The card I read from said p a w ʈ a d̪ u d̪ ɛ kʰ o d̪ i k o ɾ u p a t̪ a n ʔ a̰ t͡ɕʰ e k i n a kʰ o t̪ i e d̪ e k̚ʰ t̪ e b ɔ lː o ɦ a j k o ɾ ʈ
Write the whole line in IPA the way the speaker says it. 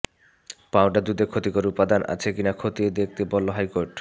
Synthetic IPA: p a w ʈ a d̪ u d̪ e kʰ o t̪ i k o ɾ u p a d̪ a n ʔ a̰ t͡ɕʰ e k i n a kʰ o t̪ i e d̪ e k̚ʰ t̪ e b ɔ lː o ɦ a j k o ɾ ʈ